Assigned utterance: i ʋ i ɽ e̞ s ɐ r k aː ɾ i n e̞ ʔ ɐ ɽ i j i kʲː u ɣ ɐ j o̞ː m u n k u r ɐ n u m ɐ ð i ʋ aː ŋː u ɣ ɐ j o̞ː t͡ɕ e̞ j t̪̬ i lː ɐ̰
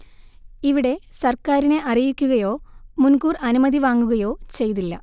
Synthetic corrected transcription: i ʋ i ɽ e̞ s ɐ r k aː ɾ i n e̞ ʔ ɐ r i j i kʲː u ɣ ɐ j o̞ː m u n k uː r ɐ n u m ɐ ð i ʋ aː ŋː u ɣ ɐ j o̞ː t͡ɕ e̞ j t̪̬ i lː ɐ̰